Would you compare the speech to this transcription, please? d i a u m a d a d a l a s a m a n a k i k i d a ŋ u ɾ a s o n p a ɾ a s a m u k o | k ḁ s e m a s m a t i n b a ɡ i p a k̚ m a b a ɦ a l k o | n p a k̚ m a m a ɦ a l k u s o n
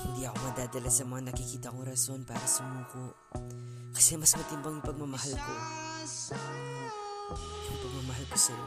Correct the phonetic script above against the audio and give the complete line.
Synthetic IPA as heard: d i a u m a d a d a l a s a m a n a k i k i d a ŋ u ɾ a s o n p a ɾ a s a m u k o | k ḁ s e m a s m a t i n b a ŋ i p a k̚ m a m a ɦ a l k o | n p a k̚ m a m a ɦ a l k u s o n